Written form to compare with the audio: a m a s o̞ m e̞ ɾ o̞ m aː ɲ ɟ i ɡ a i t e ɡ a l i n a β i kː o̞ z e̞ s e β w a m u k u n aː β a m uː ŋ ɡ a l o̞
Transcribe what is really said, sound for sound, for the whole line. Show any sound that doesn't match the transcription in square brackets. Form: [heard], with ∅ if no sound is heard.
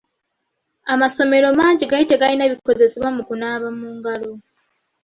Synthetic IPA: a m a s o̞ m e̞ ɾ o̞ m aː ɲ ɟ i ɡ a i t e ɡ a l i n a β i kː o̞ z e̞ s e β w a m u k u n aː β a m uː ŋ ɡ a l o̞